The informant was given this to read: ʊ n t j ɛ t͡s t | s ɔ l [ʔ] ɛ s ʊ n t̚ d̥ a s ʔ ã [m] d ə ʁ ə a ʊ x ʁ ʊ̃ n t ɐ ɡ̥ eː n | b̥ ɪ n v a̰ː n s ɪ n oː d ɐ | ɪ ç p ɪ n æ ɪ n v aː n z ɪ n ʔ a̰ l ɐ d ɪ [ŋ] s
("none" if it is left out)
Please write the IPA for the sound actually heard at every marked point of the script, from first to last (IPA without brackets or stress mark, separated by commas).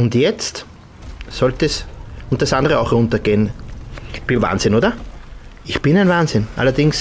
t, n, ŋ